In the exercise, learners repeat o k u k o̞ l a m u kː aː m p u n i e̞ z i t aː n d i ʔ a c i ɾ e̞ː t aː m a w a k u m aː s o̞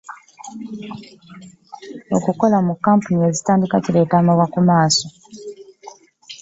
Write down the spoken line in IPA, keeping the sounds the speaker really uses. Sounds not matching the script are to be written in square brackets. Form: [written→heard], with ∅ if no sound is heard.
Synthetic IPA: o k u k o̞ l a m u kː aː m p u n i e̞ z i t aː n d i [ʔ→k] a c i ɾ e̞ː t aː m a w a k u m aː s o̞